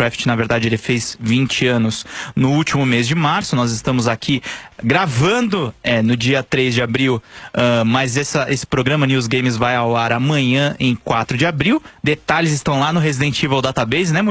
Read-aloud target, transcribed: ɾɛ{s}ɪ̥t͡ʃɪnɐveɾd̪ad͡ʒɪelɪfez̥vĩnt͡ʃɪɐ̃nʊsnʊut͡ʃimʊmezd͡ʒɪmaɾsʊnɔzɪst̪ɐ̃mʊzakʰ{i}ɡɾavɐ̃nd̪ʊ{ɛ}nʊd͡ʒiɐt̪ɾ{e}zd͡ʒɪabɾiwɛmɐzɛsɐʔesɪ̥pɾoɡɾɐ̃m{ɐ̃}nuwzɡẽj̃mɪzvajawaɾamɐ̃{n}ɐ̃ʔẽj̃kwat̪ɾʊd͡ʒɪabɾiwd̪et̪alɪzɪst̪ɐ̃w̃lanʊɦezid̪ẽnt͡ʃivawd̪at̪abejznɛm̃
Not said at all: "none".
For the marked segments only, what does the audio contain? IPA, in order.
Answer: f, i, ɛ, e, ɐ, ɲ

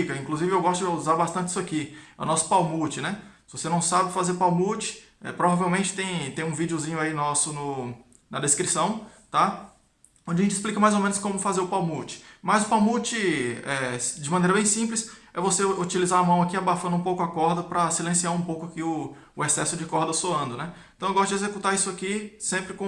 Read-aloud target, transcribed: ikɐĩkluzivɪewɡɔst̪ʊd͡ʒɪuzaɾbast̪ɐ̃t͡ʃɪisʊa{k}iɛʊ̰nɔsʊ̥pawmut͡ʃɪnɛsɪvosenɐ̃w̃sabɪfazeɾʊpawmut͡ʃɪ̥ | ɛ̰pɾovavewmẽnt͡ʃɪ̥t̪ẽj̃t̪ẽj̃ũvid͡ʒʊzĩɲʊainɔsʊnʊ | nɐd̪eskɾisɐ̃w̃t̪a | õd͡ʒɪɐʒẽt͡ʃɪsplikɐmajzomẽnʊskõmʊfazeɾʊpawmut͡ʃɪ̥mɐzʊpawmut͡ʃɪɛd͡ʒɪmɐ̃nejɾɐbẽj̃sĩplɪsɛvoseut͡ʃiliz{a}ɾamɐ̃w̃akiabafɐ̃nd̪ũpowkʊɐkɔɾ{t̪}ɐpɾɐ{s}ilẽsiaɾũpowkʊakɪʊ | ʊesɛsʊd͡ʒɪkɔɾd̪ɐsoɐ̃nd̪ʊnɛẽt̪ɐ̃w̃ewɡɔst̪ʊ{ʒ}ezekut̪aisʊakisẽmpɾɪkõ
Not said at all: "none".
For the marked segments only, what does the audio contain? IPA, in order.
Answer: k, a, d̪, s, d͡ʒ

